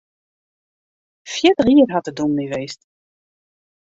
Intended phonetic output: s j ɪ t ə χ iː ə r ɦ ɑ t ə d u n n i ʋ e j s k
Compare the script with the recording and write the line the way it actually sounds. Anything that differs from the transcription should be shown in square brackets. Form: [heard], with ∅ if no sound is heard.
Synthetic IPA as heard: [f] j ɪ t ə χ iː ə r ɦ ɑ t ə d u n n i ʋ e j s [t]